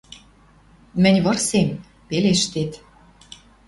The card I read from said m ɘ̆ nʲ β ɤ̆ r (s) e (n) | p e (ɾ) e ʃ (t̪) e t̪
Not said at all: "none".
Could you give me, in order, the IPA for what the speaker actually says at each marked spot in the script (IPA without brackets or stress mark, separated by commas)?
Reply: s, m, l, t̪